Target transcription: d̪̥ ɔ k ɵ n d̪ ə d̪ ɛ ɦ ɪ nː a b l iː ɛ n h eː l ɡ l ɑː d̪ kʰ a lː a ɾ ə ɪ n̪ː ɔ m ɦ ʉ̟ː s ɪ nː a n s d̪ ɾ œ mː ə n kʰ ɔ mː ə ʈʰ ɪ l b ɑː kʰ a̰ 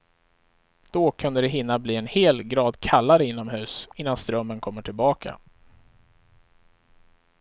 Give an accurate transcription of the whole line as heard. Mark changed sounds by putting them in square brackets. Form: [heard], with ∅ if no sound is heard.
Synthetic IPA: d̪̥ ɔ [kʰ] ɵ n d̪ ə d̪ ɛ ɦ ɪ nː a b l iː ɛ n h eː l ɡ [ɾ] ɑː d̪ kʰ a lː a ɾ ə ɪ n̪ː ɔ m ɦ ʉ̟ː s ɪ nː a n s [t̪] ɾ œ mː ə n kʰ ɔ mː ə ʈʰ ɪ l b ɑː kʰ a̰

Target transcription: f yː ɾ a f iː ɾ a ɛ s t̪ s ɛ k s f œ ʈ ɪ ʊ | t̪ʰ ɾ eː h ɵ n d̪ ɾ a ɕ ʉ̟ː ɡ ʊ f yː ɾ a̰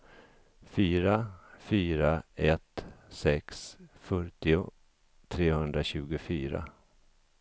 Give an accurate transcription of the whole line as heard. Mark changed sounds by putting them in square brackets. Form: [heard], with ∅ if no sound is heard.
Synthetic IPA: f yː ɾ a f [yː] ɾ a ɛ [∅] t̪ s ɛ k s f œ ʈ ɪ ʊ | t̪ʰ ɾ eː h ɵ n d̪ ɾ a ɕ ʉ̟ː ɡ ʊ f yː ɾ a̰

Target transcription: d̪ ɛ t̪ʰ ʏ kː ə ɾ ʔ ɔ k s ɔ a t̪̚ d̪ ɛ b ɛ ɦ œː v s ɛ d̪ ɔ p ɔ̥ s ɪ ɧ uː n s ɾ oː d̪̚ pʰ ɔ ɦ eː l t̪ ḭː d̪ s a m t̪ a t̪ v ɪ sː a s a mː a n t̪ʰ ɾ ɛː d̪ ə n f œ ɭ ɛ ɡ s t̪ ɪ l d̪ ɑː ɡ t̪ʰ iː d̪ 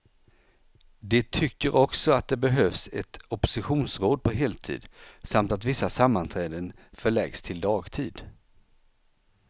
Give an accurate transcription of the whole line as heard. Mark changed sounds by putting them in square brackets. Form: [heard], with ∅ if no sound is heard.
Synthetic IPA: d̪ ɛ t̪ʰ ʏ kː ə ɾ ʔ ɔ k s ɔ a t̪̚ d̪ ɛ b ɛ ɦ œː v s ɛ [t̪] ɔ p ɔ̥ s ɪ ɧ uː n s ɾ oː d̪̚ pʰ ɔ ɦ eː l [t̪ʰ] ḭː d̪ s a m t̪ a t̪ v ɪ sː a s a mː a n t̪ʰ ɾ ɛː d̪ ə n f œ ɭ ɛ ɡ s [t̪ʰ] ɪ l d̪ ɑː ɡ t̪ʰ iː d̪

